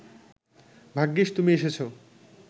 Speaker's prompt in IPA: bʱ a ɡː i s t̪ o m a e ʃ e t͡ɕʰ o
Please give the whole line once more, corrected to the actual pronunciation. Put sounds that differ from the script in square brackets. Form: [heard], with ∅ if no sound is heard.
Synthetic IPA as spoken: bʱ a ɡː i [ʃ] t̪ [u] m [i] e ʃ e t͡ɕʰ o